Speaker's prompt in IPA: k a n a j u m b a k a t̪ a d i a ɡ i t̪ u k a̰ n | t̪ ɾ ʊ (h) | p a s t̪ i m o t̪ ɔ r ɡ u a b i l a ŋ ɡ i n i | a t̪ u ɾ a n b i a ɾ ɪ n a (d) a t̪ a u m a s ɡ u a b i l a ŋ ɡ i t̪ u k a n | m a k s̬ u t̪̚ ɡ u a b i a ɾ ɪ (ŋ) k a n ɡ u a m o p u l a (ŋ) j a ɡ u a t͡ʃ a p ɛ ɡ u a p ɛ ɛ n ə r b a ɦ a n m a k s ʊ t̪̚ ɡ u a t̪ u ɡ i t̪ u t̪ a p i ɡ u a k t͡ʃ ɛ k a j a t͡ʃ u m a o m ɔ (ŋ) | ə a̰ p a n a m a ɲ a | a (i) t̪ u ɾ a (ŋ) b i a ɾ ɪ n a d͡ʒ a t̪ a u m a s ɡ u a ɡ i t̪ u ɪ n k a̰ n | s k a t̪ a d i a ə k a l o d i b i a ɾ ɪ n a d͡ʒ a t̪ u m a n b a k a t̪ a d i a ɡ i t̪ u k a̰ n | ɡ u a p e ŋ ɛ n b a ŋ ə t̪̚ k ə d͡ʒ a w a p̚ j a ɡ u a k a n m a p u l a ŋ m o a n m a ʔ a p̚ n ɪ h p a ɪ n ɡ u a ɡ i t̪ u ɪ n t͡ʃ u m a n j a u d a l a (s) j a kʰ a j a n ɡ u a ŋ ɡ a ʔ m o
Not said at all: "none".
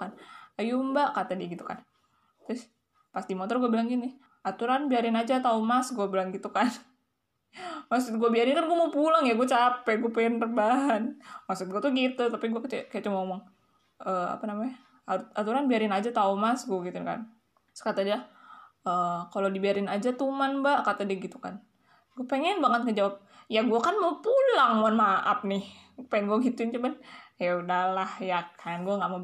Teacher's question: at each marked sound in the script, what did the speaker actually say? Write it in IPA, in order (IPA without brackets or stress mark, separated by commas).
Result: s, d͡ʒ, n, ŋ, ŋ, a, n, h